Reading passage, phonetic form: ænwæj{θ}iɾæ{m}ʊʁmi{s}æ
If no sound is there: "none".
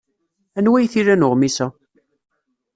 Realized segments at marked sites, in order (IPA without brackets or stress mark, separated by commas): θ, n, s